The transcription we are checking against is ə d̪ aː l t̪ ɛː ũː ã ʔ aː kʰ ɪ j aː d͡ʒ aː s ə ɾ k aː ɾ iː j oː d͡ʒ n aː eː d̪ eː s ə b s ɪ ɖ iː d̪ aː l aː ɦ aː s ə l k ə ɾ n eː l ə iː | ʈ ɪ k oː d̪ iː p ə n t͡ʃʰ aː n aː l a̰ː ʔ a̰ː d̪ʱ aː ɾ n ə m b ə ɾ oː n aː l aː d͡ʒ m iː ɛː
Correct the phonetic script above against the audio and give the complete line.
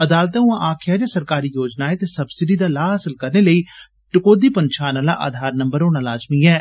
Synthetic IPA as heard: ə d̪ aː l t̪ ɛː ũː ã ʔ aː kʰ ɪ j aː d͡ʒ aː s ə ɾ k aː ɾ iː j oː d͡ʒ n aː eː t̪ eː s ə b s ɪ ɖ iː d̪ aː l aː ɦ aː s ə l k ə ɾ n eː l ə iː | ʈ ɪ k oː d̪ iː p ə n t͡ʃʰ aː n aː l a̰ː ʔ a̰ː d̪ʱ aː ɾ n ə m b ə ɾ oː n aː l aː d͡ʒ m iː ɛː